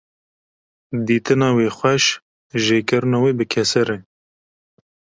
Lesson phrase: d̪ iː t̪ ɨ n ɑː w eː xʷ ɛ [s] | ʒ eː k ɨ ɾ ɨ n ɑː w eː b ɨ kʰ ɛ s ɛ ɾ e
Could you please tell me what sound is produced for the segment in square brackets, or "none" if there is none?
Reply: ʃ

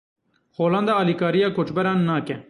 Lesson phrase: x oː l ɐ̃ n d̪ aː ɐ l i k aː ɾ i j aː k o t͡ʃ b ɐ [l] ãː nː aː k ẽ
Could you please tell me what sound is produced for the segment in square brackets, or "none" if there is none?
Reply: ɾ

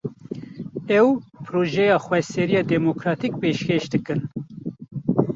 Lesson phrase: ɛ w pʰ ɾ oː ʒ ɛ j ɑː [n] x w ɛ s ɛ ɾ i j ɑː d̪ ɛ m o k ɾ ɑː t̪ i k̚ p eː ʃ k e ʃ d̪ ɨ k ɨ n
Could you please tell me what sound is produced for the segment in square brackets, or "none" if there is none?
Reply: none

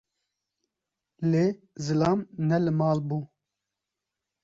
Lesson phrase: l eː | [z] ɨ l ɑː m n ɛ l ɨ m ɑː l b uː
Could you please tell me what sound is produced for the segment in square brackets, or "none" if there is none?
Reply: z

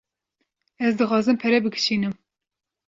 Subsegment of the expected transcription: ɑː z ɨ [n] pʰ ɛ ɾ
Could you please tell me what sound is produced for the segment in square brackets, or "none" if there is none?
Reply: m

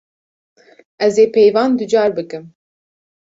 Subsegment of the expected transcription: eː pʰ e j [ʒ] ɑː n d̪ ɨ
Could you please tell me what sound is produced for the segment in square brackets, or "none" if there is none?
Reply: v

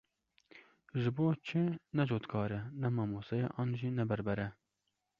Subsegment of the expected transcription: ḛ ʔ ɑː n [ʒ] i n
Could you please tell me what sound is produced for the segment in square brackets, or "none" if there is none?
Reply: ʒ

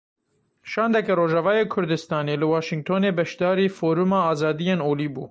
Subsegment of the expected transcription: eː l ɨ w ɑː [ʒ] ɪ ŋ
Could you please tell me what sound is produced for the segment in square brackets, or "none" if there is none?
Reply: ʃ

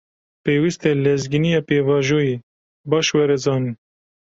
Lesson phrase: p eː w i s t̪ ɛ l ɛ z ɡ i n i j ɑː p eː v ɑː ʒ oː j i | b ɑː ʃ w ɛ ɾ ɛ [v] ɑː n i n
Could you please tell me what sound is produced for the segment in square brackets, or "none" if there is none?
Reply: z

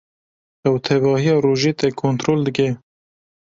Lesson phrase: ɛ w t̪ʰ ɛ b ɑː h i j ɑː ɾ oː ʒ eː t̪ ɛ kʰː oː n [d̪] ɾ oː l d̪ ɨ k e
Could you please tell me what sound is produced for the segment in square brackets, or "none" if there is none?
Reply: t̪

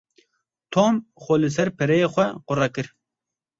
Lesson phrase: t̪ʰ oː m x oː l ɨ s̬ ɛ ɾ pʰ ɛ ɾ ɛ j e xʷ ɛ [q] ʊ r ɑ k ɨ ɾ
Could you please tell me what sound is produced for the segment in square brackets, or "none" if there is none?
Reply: q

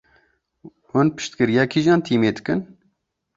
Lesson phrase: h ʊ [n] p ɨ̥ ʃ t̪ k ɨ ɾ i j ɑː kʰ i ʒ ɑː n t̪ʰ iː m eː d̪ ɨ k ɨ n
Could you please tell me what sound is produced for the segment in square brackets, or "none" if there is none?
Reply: n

